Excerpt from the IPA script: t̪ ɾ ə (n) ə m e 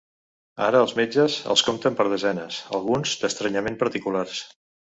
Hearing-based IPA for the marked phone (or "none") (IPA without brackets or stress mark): ɲ